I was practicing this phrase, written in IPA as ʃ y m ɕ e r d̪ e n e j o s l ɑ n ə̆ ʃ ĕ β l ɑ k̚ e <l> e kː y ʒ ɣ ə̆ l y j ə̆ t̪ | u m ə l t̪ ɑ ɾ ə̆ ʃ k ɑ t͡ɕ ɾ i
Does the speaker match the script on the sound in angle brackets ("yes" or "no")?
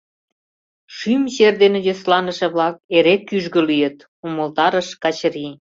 no